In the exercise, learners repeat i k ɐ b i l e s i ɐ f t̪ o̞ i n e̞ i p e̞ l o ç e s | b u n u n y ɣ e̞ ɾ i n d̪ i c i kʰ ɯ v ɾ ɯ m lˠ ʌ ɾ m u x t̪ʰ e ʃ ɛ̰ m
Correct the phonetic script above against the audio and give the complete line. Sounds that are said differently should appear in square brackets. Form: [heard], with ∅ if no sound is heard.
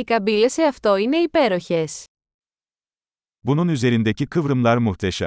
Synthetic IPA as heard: i k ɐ b i l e s [e] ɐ f t̪ o̞ i n e̞ i p e̞ [ɾ] o ç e s | b u n u n y [z] e̞ ɾ i n d̪ [e] c i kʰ ɯ v ɾ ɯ m lˠ [a] ɾ m u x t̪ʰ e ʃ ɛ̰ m